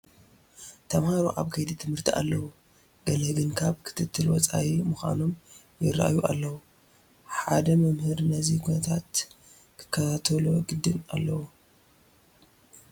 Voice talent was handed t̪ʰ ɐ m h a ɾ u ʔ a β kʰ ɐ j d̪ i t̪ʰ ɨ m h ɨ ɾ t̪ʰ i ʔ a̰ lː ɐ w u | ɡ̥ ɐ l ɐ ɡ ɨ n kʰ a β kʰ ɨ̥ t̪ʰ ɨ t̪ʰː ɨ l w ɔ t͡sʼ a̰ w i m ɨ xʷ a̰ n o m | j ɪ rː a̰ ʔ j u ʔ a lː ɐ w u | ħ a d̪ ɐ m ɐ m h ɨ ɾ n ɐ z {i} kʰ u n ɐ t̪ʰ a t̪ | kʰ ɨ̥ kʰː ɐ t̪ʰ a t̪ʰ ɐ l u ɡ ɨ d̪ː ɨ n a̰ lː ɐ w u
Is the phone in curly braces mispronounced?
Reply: no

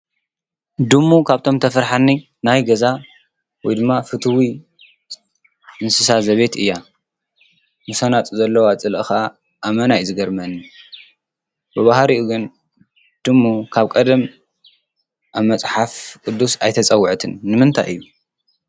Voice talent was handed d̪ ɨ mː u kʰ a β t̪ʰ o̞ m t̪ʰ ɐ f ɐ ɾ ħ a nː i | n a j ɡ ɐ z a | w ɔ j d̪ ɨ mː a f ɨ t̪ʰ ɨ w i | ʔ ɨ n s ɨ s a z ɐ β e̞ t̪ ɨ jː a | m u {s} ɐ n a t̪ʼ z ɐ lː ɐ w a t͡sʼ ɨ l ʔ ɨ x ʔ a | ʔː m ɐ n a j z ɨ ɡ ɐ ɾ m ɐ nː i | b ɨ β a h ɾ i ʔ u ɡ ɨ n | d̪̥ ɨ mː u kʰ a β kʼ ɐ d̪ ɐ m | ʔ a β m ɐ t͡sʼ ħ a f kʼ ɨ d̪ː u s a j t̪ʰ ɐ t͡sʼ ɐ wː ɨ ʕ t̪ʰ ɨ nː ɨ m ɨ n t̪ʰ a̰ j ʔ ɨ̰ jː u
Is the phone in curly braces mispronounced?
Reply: no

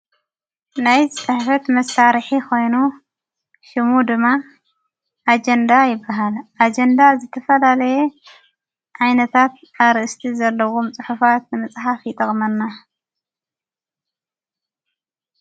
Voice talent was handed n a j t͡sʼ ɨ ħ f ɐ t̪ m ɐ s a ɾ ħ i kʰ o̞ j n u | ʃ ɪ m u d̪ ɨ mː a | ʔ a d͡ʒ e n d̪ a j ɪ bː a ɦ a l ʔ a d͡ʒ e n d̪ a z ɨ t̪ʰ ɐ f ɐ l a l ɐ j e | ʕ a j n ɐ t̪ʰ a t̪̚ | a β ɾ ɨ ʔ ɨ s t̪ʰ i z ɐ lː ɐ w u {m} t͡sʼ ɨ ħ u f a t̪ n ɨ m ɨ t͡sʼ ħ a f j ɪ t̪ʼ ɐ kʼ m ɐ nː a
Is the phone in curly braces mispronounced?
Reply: no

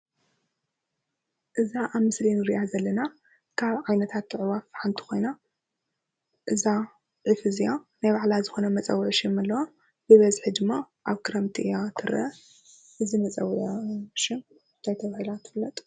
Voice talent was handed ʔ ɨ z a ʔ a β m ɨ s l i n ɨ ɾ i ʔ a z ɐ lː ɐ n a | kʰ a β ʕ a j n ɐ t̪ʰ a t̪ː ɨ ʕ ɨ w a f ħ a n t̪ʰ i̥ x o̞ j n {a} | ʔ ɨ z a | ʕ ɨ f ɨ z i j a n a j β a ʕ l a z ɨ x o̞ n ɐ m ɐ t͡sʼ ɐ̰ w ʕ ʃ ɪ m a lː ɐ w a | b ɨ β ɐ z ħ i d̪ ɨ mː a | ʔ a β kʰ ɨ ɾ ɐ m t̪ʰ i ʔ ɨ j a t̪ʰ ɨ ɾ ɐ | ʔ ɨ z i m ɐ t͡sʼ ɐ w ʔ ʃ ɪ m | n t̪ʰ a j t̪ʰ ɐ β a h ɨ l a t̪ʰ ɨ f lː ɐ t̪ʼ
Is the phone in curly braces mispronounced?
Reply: no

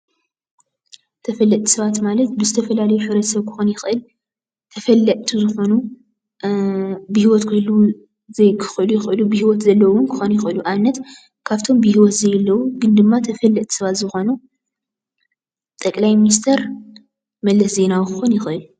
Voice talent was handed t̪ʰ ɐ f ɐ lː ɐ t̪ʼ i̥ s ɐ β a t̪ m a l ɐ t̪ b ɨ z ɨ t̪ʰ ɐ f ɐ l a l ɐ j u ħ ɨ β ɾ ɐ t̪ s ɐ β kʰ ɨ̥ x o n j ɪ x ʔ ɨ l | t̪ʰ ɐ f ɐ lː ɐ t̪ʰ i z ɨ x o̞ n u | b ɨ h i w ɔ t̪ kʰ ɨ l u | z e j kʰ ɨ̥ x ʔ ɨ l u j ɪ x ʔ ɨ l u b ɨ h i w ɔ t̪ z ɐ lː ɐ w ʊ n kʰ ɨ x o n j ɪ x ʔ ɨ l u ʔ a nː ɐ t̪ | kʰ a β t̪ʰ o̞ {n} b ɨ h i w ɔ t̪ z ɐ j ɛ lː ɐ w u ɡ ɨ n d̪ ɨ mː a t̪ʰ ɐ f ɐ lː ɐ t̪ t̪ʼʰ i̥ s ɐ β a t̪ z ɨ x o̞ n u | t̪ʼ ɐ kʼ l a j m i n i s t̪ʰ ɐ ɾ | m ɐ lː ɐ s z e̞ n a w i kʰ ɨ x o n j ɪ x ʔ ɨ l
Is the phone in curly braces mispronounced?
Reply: yes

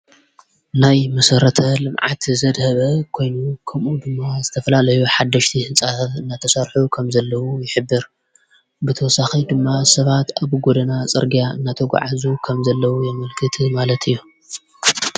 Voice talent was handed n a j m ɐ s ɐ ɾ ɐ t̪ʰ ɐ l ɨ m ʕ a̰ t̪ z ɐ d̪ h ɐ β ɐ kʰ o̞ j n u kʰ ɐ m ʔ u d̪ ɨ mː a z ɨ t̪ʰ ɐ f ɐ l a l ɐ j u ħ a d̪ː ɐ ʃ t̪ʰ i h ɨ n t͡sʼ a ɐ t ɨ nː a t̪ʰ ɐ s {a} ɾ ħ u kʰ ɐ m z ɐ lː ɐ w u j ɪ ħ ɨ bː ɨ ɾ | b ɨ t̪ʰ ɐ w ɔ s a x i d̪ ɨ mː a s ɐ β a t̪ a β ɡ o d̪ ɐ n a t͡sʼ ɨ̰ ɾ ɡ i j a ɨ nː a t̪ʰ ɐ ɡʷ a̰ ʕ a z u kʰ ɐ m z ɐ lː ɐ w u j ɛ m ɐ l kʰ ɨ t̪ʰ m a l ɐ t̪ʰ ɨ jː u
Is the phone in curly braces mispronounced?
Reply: yes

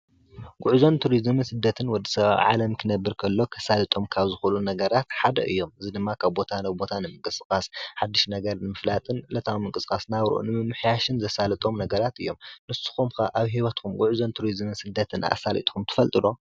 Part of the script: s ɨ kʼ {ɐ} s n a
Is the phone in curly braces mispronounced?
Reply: yes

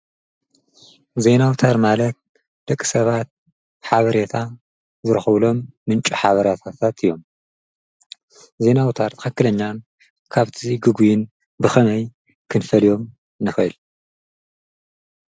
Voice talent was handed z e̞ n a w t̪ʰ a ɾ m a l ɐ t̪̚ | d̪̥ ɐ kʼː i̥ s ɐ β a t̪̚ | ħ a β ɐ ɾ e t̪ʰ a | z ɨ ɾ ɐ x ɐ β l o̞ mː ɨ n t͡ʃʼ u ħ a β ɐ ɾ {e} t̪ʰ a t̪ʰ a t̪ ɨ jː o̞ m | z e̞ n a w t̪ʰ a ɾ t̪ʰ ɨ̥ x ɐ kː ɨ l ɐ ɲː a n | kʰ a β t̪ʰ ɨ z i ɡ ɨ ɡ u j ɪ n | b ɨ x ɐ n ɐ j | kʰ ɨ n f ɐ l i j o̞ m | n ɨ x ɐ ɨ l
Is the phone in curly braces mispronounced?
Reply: yes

